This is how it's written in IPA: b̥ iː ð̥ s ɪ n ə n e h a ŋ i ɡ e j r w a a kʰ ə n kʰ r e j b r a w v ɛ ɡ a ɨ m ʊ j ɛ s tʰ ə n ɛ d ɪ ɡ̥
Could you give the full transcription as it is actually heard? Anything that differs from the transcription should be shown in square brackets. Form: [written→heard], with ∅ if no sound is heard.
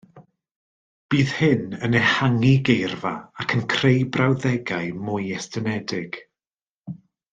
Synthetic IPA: b̥ iː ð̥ [s→h] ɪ n ə n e h a ŋ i ɡ e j r [w→v] a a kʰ ə n kʰ r e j b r a w [v→ð] ɛ ɡ a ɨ m ʊ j ɛ s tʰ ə n ɛ d ɪ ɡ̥